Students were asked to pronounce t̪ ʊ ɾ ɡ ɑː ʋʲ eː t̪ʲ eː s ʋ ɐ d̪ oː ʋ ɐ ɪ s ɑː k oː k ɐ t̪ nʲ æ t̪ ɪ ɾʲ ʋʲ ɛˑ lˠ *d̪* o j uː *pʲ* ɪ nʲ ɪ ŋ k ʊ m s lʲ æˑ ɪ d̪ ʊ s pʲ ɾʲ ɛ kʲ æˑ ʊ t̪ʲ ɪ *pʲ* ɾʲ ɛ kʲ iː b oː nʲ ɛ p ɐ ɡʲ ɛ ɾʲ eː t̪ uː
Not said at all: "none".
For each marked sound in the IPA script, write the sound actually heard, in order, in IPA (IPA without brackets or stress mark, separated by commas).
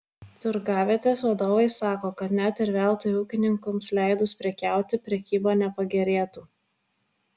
t̪, kʲ, pʲ